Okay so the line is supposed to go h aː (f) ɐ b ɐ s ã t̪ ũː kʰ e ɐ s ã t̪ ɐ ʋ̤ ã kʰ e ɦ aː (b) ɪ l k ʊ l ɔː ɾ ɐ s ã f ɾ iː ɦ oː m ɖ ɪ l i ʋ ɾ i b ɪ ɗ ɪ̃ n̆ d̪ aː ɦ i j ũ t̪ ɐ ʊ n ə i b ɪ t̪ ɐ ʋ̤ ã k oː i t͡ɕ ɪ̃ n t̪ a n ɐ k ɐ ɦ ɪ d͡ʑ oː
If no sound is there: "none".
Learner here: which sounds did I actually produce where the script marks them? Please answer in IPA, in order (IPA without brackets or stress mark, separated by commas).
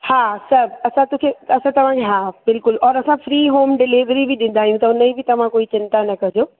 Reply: s, b